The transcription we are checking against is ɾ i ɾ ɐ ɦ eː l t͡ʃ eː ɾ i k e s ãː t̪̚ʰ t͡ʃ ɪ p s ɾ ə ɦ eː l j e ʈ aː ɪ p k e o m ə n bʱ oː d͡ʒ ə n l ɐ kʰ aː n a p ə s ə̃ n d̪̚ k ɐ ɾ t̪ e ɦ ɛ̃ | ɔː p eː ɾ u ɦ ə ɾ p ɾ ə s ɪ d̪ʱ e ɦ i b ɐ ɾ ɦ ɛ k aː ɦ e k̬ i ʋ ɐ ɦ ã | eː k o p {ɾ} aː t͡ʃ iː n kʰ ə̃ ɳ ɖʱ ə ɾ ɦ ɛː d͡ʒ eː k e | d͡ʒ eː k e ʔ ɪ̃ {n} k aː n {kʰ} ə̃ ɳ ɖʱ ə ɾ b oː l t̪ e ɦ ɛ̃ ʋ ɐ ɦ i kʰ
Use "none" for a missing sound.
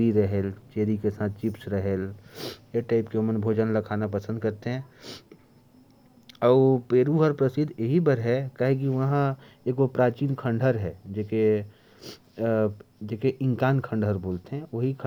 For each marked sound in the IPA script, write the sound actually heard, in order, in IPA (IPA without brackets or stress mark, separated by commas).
ɾ, ŋ, kʰ